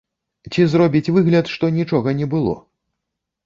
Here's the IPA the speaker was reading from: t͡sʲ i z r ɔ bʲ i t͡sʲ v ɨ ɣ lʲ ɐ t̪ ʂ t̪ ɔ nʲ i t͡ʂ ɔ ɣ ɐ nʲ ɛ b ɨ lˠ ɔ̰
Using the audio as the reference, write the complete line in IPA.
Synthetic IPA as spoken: t͡sʲ i z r ɔ bʲ i t͡sʲ v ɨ ɣ lʲ ɐ t̪ ʂ t̪ ɔ nʲ i t͡ʂ ɔ ɣ ɐ nʲ ɛ b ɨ lˠ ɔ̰